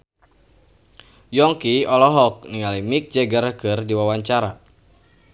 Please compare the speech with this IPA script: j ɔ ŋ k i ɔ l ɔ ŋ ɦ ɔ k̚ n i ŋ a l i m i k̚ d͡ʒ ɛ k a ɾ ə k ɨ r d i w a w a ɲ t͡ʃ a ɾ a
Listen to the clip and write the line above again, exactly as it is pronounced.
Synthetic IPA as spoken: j ɔ ŋ k i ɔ l ɔ ɦ ɔ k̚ n i ŋ a l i m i k̚ d͡ʒ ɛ ɡ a ɾ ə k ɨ r d i w a w a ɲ t͡ʃ a ɾ a

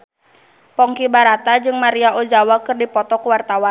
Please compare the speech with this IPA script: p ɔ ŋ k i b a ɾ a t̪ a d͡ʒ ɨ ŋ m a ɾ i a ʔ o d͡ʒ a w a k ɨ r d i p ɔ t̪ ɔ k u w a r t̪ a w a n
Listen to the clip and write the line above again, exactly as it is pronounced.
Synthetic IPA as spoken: p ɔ ŋ k i b a ɾ a t̪ a d͡ʒ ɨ ŋ m a ɾ i a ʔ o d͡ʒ a w a k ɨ r d i p ɔ t̪ ɔ k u w a r t̪ a w a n

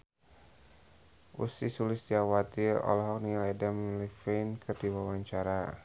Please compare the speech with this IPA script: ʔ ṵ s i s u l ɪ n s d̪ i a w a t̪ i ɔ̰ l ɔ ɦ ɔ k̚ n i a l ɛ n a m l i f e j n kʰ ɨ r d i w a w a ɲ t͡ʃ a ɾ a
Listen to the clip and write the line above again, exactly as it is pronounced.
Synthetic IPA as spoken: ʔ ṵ s i s u l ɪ s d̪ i a w a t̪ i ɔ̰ l ɔ ɦ ɔ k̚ n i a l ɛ d a m l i f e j n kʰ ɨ r d i w a w a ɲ t͡ʃ a ɾ a

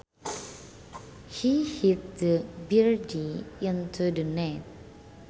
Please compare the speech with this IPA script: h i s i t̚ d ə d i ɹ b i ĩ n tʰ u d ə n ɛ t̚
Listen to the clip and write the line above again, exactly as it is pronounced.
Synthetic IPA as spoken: h i h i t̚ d ə b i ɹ d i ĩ n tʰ u d ə n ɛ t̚

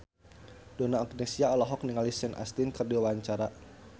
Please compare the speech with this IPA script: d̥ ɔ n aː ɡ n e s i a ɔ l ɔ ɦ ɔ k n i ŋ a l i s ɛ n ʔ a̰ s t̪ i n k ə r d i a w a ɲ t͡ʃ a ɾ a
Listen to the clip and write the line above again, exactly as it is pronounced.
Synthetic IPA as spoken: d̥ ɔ n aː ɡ n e s i a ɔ l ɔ ɦ ɔ k n i ŋ a l i s ɛ n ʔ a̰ s t̪ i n k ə r d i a w a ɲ t͡ʃ a ɾ a

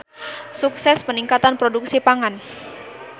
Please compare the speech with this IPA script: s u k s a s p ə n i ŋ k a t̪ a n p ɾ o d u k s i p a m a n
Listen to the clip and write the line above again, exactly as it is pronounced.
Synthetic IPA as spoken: s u k s ɛ s p ə n i ŋ k a t̪ a n p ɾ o d u k s i p a ŋ a n

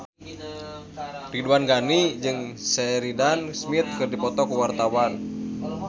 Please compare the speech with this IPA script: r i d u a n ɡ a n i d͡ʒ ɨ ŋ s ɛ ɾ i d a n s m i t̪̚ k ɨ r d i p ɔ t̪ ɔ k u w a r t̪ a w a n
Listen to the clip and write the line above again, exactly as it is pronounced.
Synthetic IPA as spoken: r i d u a n ɡ a n i d͡ʒ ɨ ŋ s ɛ ɾ i d a n s m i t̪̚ k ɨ r d i p ɔ t̪ ɔ k u w a r t̪ a w a n

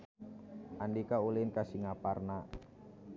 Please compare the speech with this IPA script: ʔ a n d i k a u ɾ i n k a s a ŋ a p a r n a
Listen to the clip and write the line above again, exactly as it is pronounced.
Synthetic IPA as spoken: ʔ a n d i k a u l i n k a s i ŋ a p a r n a

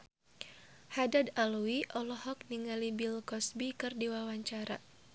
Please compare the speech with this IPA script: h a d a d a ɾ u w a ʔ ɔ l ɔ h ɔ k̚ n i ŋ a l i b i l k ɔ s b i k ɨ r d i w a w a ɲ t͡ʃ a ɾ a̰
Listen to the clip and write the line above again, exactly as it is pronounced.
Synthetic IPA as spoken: h a d a d a l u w i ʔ ɔ l ɔ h ɔ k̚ n i ŋ a l i b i l k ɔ s b i k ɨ r d i w a w a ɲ t͡ʃ a ɾ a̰

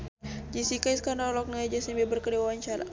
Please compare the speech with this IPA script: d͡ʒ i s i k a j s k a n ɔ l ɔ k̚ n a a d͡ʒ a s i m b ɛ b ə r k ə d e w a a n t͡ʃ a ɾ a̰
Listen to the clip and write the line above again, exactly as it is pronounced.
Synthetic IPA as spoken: d͡ʒ i s i k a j s k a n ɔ l ɔ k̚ n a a d͡ʒ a s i m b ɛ b ə r k ə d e w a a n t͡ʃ a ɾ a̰

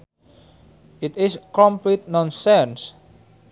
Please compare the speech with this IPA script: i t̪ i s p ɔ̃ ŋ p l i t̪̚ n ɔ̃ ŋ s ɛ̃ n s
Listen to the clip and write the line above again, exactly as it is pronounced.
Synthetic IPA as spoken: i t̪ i s k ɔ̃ m p l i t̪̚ n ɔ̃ n s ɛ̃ n s

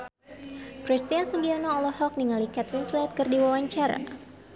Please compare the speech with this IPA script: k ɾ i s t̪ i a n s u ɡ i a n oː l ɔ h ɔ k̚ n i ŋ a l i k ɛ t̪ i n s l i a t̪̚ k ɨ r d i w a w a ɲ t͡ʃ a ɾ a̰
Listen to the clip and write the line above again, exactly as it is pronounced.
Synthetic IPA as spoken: k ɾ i s t̪ i a n s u ɡ i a n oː l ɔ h ɔ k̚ n i ŋ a l i k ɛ t̪ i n s l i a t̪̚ k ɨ r d i w a w a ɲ t͡ʃ a ɾ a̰

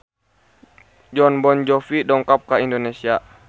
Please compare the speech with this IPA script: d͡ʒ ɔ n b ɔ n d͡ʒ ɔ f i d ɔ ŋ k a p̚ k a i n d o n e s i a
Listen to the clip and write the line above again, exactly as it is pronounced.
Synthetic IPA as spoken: d͡ʒ ɔ n b ɔ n d͡ʒ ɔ f i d ɔ ŋ k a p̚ k a i n d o n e s i a

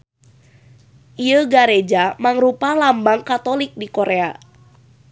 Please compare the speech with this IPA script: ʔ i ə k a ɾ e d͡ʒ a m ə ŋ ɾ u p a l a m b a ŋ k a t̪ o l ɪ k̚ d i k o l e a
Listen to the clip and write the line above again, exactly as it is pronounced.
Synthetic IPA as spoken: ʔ i ə ɡ a ɾ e d͡ʒ a m a ŋ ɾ u p a l a m b a ŋ k a t̪ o l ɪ k̚ d i k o ɾ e a

